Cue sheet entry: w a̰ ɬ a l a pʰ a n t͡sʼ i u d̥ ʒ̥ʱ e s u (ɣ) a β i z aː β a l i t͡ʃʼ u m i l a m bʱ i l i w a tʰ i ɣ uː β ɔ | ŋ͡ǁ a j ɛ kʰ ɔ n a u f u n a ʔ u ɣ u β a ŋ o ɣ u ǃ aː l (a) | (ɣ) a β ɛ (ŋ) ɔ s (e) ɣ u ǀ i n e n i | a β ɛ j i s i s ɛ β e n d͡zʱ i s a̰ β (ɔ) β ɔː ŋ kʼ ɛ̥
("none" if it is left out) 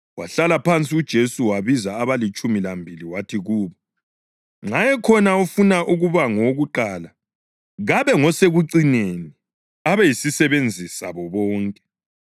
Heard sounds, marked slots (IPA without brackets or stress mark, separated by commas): w, a, ɣ, ŋ, e, ɔ